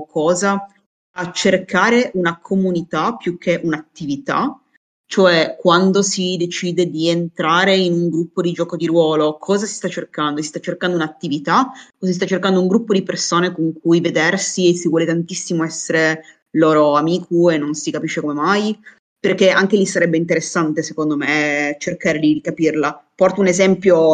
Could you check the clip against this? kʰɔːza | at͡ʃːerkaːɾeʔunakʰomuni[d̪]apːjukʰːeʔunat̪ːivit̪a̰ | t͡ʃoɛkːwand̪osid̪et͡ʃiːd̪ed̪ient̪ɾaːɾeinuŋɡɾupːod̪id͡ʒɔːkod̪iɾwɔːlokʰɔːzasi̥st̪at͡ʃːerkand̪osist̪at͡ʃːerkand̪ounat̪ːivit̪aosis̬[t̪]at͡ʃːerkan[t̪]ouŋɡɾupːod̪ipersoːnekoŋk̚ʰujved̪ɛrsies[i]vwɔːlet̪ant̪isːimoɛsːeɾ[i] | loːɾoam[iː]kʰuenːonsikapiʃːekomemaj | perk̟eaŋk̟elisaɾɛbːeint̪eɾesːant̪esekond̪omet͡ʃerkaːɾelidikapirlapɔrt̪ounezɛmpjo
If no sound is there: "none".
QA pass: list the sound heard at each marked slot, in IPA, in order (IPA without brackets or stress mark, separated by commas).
t̪, t̪, d̪, i, e, iː